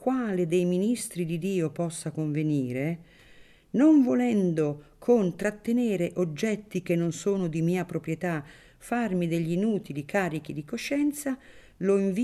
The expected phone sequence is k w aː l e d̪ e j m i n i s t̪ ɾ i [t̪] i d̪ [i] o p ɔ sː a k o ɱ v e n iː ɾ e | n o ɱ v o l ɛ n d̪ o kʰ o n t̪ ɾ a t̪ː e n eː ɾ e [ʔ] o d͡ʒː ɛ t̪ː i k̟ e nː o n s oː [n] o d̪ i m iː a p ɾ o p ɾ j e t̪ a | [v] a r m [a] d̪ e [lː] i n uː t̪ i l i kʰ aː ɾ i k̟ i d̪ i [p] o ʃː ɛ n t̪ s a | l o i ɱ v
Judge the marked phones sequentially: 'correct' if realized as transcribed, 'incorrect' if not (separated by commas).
incorrect, incorrect, correct, correct, incorrect, incorrect, incorrect, incorrect